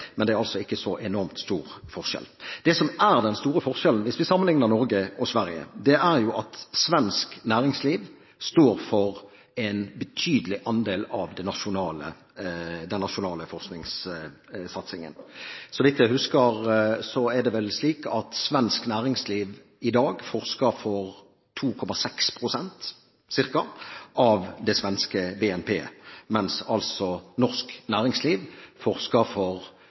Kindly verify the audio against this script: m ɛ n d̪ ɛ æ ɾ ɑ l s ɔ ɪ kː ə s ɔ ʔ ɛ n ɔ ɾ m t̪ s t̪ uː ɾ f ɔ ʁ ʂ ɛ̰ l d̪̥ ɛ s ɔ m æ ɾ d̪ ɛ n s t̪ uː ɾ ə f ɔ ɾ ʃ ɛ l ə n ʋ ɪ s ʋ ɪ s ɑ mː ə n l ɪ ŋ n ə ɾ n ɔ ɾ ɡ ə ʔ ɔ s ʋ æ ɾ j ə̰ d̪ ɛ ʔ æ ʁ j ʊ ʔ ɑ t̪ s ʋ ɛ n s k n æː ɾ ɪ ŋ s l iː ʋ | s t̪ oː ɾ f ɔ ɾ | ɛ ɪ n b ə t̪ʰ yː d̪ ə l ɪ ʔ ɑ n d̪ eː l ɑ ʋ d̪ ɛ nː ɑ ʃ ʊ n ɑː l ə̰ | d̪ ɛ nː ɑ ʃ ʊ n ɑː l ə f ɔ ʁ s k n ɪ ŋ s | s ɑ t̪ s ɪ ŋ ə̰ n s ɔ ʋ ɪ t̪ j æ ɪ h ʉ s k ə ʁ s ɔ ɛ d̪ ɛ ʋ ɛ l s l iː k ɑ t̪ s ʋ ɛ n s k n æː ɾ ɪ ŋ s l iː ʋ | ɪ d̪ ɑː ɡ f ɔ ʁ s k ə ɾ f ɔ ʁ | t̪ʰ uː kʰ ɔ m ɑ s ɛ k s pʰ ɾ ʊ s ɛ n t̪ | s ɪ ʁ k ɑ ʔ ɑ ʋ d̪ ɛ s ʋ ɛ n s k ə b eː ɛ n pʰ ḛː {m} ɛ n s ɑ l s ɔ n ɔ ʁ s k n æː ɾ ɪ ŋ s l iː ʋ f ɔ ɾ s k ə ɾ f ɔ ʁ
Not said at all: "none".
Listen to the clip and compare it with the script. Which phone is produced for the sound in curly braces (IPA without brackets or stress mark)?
m